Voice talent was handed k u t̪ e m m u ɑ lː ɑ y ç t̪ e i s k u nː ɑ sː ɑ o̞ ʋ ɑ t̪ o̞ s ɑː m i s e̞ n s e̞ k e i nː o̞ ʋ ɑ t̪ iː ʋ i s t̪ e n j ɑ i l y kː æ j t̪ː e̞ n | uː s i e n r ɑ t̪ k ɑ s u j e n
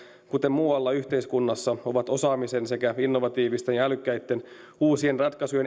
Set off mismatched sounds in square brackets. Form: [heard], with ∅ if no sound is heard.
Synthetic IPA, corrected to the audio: k u t̪ e m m [uː] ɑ lː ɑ y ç t̪ e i s k u nː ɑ sː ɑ o̞ ʋ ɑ t̪ o̞ s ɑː m i s e̞ n s e̞ k [æ] i nː o̞ ʋ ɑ t̪ iː ʋ i s t̪ e n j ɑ [æ] l y kː æ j t̪ː e̞ n | uː s i e n r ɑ t̪ k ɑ s u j e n

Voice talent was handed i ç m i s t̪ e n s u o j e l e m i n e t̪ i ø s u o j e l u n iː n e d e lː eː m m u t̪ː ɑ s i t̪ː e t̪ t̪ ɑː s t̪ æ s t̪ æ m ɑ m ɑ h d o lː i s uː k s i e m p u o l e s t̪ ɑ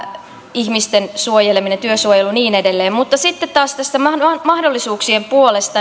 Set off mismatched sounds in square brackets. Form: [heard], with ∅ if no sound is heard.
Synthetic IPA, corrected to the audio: i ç m i s t̪ e n s u o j e l e m i n e t̪ [y] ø s u o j e l u n iː n e d e lː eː m m u t̪ː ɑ s i t̪ː e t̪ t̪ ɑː s t̪ æ s t̪ æ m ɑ m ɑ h d o lː i s uː k s i e m p u o l e s t̪ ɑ

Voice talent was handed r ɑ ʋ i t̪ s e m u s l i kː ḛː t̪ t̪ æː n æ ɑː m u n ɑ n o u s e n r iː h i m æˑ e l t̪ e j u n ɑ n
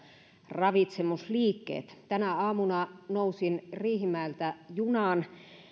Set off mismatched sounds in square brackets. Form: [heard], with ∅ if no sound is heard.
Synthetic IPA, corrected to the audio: r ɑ ʋ i t̪ s e m u s l [iː] kː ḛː t̪ t̪ [æ] n æ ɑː m u n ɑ n o u s [i] n r iː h i m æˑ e l t̪ [æ] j u n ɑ n

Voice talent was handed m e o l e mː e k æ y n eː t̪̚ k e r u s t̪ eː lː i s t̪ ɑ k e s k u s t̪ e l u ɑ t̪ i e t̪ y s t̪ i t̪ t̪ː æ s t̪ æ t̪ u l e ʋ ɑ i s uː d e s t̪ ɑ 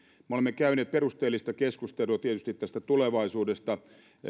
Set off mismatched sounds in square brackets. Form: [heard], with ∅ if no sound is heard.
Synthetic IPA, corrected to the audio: m e o l e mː e k æ y n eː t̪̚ [p] e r u s t̪ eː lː i s t̪ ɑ k e s k u s t̪ e l u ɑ t̪ i e t̪ y s t̪ i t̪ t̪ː æ s t̪ æ t̪ u l e ʋ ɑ i s uː d e s t̪ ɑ

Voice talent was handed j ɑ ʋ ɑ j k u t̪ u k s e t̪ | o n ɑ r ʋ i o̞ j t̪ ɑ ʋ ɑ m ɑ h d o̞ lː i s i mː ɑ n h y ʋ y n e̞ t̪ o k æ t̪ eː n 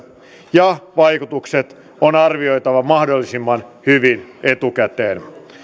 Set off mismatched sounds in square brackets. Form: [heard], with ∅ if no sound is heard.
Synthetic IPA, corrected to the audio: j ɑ ʋ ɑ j k u t̪ u k s e t̪ | o n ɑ r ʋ i o̞ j t̪ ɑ ʋ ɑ m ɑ h d o̞ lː i s i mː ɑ n h y ʋ [i] n e̞ t̪ [u] k æ t̪ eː n

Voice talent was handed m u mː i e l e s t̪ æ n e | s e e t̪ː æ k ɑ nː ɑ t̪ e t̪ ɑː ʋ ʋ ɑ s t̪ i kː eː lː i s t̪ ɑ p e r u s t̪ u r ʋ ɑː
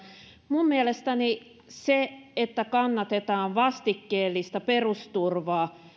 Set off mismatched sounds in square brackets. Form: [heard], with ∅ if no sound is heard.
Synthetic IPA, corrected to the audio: m u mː i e l e s t̪ æ n [i] | s e e t̪ː æ k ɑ nː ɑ t̪ e t̪ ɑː ʋ ʋ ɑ s t̪ i kː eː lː i s t̪ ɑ p e r u s t̪ u r ʋ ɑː

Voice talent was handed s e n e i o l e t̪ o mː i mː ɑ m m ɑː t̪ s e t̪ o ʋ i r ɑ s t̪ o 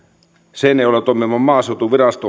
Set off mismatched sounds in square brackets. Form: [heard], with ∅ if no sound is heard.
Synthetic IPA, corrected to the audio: s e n e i o l e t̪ o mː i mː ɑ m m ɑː [∅] s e t̪ [u] ʋ i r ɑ s t̪ o

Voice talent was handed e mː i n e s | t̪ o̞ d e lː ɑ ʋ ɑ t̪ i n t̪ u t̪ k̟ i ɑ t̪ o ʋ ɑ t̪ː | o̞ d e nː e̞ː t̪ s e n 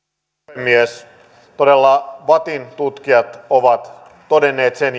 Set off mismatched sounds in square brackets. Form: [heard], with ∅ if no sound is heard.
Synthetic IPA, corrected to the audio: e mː i [∅] e s | t̪ o̞ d e lː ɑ ʋ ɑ t̪ i n t̪ u t̪ k̟ i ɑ t̪ o ʋ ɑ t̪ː | o̞ d e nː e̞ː t̪ s e n

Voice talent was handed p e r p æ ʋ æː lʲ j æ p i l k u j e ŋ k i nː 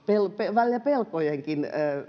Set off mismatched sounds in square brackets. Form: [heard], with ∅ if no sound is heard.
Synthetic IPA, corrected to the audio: p e [l] p [e] ʋ [æ] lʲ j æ p [e] l k [o] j e ŋ k i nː

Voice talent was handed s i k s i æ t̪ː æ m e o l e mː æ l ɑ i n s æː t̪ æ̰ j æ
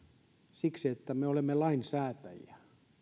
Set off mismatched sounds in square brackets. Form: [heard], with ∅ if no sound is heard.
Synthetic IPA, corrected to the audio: s i k s i [e] t̪ː æ m e o l e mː [e] l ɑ i n s æː t̪ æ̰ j æ

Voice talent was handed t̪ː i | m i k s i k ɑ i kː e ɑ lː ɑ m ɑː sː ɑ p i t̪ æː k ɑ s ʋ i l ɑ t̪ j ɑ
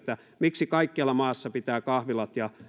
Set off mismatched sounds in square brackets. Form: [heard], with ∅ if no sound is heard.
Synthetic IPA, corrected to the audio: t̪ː [æ] | m i k s i k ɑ i kː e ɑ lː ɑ m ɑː sː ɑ p i t̪ æː k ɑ [h] ʋ i l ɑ t̪ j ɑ

